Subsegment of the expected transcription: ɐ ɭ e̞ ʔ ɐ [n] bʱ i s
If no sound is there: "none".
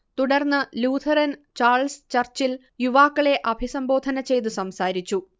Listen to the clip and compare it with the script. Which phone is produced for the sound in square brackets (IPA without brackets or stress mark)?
none